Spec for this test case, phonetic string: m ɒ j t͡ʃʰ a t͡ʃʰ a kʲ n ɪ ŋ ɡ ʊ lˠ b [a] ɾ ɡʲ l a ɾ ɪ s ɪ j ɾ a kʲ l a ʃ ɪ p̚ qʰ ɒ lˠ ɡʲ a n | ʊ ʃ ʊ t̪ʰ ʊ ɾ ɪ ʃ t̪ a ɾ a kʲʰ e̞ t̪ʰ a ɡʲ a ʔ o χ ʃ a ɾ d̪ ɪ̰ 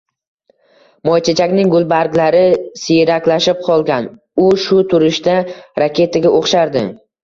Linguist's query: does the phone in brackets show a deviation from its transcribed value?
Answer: no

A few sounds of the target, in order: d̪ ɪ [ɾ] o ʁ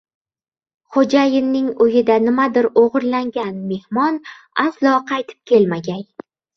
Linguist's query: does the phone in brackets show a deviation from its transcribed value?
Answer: no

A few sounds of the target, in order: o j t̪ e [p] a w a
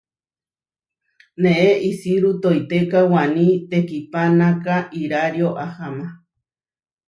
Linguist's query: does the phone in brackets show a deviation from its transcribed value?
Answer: yes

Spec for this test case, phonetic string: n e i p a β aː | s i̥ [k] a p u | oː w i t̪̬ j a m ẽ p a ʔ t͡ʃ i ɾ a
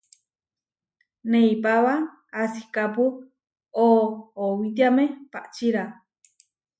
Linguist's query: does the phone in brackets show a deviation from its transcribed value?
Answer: no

